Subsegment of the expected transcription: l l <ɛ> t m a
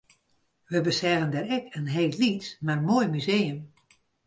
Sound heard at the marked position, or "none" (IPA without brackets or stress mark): i